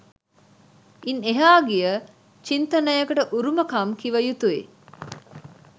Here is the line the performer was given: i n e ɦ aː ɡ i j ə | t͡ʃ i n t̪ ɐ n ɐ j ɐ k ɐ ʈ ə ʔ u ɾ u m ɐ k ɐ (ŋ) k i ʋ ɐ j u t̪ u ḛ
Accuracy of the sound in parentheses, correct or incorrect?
incorrect